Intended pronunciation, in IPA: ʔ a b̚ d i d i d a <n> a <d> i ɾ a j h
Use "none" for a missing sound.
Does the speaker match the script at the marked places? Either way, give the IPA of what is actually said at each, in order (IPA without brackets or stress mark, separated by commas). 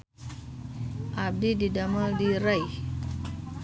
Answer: m, d